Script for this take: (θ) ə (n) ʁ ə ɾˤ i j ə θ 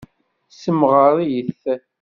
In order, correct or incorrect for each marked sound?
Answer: incorrect, incorrect

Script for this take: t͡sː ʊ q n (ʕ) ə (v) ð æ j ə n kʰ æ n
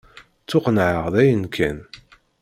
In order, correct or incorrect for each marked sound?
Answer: correct, incorrect

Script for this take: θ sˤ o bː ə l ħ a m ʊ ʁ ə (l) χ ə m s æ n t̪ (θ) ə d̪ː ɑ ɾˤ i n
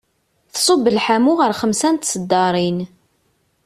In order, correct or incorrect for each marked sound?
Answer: incorrect, incorrect

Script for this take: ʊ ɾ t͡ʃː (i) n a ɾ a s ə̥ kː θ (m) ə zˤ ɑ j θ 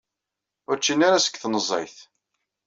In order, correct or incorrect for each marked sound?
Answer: correct, incorrect

